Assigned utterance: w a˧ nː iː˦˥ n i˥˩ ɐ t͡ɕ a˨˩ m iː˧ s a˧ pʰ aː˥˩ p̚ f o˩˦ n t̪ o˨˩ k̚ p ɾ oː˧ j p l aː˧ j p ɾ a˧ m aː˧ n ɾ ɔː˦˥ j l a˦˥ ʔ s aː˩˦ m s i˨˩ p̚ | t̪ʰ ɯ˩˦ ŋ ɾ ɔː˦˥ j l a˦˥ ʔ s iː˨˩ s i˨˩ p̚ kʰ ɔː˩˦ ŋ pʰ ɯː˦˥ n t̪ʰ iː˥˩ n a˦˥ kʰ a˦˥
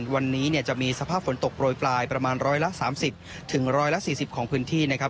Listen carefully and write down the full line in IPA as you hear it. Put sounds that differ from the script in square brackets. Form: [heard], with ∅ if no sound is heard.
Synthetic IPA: w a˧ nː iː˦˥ n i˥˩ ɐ t͡ɕ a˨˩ m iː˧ s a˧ pʰ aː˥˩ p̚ f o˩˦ n t̪ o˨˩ k̚ p ɾ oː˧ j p l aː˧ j p ɾ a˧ m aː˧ n ɾ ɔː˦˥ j l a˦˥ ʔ s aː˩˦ m s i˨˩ p̚ | t̪ʰ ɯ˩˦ ŋ ɾ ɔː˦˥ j l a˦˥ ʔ s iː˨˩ s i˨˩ p̚ kʰ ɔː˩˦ ŋ pʰ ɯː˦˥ n t̪ʰ iː˥˩ n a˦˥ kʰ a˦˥